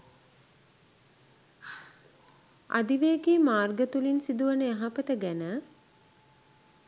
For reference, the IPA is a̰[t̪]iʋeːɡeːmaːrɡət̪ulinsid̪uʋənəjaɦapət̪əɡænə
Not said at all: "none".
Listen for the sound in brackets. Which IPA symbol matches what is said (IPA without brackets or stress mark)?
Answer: d̪